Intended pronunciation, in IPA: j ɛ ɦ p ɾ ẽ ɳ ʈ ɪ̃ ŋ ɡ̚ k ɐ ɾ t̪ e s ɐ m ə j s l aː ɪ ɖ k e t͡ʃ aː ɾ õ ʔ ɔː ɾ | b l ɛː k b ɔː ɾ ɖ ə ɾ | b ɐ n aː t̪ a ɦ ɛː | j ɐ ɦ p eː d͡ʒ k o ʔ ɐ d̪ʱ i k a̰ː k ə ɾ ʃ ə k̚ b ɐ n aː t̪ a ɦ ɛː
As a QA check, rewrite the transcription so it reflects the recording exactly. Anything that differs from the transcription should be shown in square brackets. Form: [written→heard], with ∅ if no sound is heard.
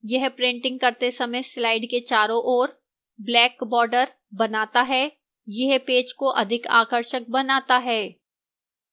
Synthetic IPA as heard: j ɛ ɦ p ɾ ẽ ɳ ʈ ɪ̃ ŋ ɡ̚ k ɐ ɾ t̪ e s ɐ m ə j s l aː ɪ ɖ k e t͡ʃ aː ɾ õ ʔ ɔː ɾ | b l ɛː k b ɔː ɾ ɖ ə ɾ | b ɐ n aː t̪ a ɦ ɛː | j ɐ ɦ p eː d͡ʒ k o ʔ ɐ d̪ʱ [i→ɪ] k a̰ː k ə ɾ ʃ ə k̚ b ɐ n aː t̪ a ɦ ɛː